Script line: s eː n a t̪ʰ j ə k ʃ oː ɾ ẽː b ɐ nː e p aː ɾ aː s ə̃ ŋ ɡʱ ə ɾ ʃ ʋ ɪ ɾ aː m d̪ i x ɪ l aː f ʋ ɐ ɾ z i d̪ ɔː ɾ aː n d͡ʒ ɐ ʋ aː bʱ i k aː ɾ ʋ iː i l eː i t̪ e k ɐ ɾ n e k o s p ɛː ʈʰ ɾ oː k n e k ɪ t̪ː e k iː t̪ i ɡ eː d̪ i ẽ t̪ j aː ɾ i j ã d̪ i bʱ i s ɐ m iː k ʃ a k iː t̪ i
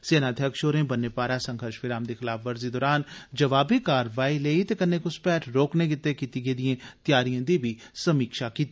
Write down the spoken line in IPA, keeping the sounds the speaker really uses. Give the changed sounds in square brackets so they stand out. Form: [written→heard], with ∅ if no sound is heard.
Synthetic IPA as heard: s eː n a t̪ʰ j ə k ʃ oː ɾ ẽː b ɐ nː e p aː ɾ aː s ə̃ ŋ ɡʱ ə ɾ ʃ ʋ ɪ ɾ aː m d̪ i x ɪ l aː f ʋ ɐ ɾ z i d̪ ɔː ɾ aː n d͡ʒ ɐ ʋ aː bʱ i k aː ɾ ʋ [iː→aː] i l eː i t̪ e k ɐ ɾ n e k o s p ɛː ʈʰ ɾ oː k n e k ɪ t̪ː e k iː t̪ i ɡ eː d̪ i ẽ t̪ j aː ɾ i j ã d̪ i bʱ i s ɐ m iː k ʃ a k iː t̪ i